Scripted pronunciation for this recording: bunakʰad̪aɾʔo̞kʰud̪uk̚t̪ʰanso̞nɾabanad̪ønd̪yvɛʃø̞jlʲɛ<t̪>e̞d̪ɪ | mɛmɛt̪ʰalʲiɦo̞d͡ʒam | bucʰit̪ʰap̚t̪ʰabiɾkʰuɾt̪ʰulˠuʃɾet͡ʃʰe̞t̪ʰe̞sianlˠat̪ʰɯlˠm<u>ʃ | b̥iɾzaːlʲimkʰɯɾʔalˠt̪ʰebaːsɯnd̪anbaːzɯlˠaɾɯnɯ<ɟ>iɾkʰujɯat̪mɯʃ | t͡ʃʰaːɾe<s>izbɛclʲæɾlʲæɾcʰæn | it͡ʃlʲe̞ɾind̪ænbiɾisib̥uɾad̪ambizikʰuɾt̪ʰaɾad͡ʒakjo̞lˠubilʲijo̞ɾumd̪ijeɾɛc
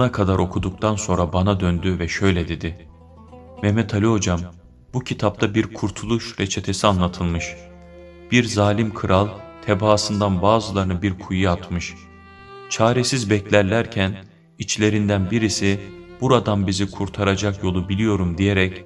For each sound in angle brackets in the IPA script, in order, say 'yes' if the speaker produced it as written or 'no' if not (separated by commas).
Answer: no, no, no, yes